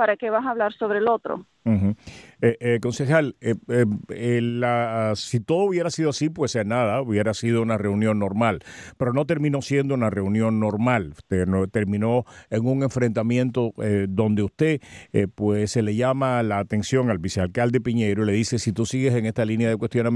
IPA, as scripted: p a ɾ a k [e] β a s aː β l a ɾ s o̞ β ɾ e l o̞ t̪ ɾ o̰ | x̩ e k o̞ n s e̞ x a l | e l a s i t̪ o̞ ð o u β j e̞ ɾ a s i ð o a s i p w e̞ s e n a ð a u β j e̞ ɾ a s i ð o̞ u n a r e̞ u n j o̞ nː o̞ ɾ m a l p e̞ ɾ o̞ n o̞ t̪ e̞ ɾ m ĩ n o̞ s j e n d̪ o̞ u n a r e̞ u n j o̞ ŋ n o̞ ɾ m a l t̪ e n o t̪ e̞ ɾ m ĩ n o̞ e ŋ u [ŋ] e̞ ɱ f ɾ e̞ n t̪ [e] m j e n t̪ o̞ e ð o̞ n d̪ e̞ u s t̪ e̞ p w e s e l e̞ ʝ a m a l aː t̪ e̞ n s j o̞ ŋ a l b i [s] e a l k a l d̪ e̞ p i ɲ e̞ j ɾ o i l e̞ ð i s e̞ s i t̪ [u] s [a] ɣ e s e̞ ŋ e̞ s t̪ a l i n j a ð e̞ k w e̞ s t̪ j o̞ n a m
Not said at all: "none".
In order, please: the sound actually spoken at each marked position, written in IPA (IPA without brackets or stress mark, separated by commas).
e, ŋ, a, s, u, i